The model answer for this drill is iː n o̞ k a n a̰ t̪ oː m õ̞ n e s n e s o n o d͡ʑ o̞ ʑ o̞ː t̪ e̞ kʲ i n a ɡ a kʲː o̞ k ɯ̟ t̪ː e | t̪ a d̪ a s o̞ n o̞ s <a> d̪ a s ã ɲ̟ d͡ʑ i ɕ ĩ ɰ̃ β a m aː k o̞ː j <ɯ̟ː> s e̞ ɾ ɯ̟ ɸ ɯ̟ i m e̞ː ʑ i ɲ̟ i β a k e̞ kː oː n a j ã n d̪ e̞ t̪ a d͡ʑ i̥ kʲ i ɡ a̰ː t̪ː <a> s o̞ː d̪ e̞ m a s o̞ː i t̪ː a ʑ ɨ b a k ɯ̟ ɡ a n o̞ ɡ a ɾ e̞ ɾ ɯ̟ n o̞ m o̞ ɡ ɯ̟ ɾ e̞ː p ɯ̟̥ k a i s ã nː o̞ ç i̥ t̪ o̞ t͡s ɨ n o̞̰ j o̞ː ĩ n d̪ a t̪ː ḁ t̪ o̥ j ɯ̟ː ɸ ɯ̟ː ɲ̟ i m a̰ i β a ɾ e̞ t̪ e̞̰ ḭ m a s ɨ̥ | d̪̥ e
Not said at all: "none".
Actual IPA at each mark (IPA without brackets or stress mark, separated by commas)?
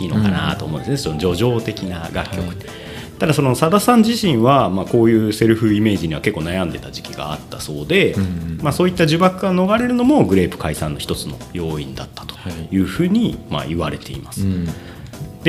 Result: a, ɯ̟ː, a